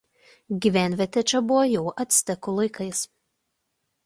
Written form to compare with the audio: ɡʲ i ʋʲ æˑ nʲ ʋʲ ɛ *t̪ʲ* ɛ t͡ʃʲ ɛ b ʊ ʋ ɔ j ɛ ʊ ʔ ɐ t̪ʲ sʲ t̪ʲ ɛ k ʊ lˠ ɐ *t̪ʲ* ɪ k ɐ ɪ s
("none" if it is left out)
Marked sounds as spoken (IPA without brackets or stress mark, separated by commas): t̪ʲ, none